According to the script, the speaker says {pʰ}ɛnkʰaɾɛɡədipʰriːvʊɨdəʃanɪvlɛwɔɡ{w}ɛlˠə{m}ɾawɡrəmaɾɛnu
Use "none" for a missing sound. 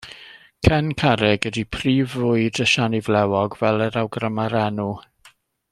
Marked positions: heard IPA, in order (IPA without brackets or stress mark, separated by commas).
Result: kʰ, v, none